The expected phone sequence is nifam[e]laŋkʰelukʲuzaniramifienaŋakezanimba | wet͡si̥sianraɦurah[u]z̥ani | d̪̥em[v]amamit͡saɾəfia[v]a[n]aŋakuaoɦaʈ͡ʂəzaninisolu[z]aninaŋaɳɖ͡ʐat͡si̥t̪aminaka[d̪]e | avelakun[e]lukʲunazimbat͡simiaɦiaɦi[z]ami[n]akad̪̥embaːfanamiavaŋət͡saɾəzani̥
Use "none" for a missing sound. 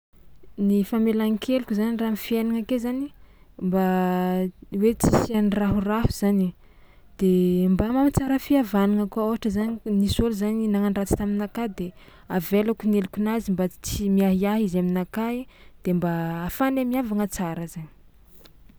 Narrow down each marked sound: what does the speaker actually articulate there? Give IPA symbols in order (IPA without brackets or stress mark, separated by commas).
e, u, b, v, n, z, d̪, e, z, n